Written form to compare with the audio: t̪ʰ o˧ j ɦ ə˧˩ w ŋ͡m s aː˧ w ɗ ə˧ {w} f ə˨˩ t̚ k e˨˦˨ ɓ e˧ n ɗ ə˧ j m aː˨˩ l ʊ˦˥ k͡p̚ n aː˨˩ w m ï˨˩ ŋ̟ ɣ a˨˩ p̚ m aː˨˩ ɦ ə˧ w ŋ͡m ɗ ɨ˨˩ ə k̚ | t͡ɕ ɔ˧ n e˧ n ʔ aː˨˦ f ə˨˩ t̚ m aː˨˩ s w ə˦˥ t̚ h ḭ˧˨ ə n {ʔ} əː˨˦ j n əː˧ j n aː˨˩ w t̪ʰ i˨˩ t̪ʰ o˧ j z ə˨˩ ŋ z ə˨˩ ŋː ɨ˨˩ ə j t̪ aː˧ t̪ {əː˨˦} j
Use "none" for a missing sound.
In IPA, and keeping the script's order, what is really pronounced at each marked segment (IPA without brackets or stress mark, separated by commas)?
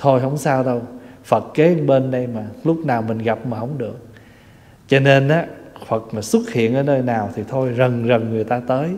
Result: w, ʔ, əː˨˦